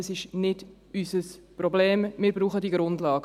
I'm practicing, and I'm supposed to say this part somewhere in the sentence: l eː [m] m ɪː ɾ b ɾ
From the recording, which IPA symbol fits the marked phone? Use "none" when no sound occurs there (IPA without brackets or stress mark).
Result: m